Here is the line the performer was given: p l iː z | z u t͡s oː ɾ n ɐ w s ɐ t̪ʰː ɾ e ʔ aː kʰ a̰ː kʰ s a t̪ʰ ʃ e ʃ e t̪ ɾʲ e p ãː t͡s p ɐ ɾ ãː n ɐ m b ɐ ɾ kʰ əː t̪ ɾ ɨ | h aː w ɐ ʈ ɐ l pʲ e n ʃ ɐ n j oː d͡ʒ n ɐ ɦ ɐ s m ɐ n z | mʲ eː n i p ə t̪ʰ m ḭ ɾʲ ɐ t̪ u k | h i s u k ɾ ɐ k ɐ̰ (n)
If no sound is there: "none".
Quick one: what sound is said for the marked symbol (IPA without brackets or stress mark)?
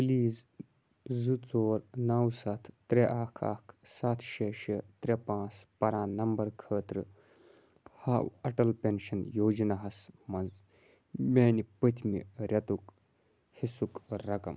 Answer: m